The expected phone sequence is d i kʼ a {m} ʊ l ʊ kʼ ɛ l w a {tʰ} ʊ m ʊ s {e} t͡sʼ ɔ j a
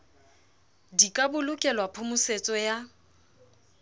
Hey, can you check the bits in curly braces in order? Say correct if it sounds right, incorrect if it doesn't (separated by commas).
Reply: incorrect, incorrect, correct